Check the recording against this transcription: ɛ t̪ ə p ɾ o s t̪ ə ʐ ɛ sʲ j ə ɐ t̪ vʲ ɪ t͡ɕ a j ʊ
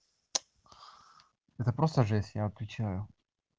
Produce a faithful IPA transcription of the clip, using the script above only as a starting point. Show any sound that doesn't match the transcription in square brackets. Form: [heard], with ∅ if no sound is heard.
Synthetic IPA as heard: ɛ t̪ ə p ɾ o s t̪ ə ʐ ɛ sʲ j [a] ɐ t̪ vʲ ɪ t͡ɕ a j ʊ